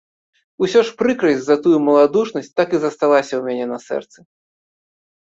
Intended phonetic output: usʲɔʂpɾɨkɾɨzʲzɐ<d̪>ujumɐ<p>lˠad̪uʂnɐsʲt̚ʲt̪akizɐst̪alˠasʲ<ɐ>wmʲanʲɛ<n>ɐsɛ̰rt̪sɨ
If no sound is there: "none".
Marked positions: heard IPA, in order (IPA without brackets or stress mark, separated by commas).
t̪, none, ɐ, n